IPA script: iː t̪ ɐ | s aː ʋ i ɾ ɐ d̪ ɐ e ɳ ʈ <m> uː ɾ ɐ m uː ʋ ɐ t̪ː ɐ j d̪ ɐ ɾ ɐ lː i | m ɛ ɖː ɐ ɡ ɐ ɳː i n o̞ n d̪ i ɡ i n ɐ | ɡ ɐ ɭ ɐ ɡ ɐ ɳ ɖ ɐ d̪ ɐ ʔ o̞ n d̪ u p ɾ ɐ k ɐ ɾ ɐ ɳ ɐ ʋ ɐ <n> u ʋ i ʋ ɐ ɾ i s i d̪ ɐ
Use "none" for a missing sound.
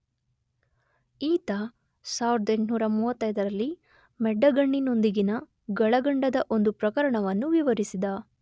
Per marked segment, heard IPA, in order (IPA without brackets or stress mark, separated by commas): n, nː